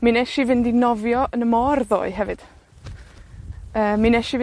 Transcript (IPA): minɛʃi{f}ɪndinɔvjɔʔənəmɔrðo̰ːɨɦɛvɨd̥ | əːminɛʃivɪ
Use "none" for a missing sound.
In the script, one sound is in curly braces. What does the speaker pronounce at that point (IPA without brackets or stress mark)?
v